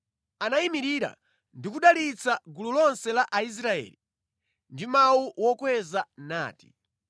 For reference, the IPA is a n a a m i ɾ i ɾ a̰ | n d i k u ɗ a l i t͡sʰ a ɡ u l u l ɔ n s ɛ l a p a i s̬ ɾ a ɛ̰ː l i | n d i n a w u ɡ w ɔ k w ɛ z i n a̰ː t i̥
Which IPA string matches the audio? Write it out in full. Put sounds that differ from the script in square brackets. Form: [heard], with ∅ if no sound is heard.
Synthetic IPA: a n a [i] m i ɾ i ɾ a̰ | n d i k u ɗ a l i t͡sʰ a ɡ u l u l ɔ n s ɛ l a [ʔ] a i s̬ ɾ a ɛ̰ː l i | n d i [m] a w u [∅] w ɔ k w ɛ z [a] n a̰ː t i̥